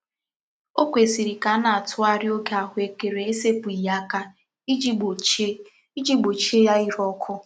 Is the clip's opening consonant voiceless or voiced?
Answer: voiceless